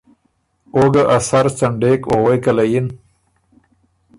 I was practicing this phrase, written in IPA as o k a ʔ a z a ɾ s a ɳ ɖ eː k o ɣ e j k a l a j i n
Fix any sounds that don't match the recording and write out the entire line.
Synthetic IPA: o ɡ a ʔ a s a ɾ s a ɳ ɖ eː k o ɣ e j k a l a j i n